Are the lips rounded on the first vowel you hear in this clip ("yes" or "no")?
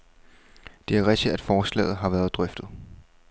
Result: no